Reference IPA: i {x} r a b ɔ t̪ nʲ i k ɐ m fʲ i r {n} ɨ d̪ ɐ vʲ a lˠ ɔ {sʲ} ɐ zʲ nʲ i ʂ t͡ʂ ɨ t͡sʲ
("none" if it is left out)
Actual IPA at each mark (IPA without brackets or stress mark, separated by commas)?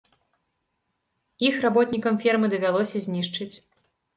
x, m, sʲ